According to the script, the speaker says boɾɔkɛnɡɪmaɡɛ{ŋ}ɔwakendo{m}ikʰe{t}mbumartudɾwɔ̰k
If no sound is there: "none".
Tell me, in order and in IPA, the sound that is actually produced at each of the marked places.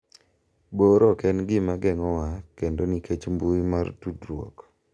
ŋ, n, t͡ʃ

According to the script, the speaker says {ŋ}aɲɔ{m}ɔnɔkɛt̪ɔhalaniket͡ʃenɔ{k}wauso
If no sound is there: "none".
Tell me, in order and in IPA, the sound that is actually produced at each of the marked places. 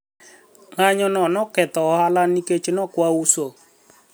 ŋ, n, k

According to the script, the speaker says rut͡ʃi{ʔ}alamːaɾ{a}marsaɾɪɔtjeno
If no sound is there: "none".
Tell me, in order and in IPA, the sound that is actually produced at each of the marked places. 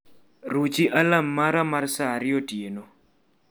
ʔ, a

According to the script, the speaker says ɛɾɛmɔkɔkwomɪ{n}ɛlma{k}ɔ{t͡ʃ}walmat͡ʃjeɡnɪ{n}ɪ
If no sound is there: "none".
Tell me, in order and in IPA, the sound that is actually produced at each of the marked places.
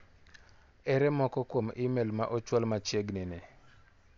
m, ʔ, t͡ʃ, n

